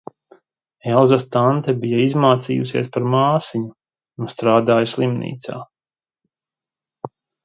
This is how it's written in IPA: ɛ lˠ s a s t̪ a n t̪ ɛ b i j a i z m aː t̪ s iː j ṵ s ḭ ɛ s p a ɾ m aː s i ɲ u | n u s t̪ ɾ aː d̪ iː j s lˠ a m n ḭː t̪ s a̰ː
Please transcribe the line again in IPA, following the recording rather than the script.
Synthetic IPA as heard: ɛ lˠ z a s t̪ a n t̪ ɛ b i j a i z m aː t̪ s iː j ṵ s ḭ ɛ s p a ɾ m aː s i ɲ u | n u s t̪ ɾ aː d̪ aː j s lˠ i m n ḭː t̪ s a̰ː